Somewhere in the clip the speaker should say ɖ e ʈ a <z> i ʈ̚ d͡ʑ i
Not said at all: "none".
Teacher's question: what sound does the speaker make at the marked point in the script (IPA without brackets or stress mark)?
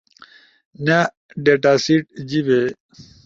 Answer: s